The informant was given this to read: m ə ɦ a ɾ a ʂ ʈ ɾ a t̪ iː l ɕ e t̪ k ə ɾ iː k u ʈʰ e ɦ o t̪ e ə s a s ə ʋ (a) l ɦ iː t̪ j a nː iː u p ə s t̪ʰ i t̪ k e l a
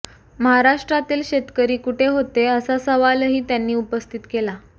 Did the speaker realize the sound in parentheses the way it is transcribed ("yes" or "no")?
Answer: yes